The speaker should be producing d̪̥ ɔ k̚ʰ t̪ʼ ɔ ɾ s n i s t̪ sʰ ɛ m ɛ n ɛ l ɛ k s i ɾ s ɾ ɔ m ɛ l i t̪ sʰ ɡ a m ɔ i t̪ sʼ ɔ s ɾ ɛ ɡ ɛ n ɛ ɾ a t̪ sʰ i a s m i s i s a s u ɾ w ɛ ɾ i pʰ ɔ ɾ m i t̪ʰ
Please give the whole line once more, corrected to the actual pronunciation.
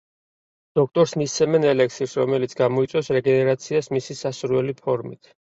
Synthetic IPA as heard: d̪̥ ɔ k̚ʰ t̪ʼ ɔ ɾ s m i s t̪ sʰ ɛ m ɛ n ɛ l ɛ k s i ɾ s ɾ ɔ m ɛ l i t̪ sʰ ɡ a m ɔ i t̪ sʼ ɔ s ɾ ɛ ɡ ɛ n ɛ ɾ a t̪ sʰ i a s m i s i s a s u ɾ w ɛ l i pʰ ɔ ɾ m i t̪ʰ